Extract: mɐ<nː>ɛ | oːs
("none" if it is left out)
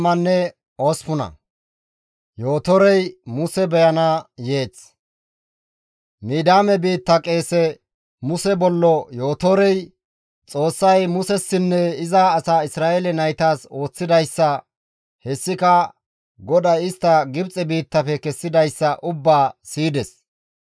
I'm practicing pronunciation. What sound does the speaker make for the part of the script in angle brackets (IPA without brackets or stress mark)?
nː